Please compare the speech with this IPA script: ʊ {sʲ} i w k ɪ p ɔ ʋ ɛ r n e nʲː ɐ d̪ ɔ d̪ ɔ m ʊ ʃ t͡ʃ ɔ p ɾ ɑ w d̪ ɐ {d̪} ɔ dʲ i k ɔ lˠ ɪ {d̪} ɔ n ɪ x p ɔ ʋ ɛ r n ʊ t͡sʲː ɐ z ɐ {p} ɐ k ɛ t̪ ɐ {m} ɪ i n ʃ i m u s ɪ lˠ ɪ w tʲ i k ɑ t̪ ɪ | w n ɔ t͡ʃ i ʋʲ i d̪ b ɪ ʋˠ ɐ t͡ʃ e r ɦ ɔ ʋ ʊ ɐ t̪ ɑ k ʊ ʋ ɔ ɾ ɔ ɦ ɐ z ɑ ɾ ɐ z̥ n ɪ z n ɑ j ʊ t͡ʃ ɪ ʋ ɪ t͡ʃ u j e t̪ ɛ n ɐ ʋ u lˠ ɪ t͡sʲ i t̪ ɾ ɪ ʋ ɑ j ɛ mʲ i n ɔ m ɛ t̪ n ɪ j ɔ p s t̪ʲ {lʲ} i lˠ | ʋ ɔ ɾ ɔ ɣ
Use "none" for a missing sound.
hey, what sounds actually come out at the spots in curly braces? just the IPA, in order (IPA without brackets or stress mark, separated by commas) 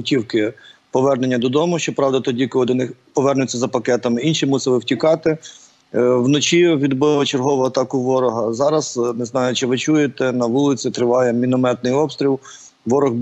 tʲ, t̪, d̪, p, m, ɾʲ